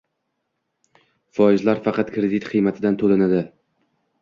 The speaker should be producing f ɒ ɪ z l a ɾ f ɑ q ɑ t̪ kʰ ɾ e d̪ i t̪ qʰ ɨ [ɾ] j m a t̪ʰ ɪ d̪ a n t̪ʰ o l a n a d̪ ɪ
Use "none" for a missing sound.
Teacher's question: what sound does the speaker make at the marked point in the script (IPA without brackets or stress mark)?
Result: none